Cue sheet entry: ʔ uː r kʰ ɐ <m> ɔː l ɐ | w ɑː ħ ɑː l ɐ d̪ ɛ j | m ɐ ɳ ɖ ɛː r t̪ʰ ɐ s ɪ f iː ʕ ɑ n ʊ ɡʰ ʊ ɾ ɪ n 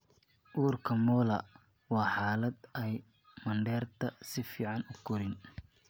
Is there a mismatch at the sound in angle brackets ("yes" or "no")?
no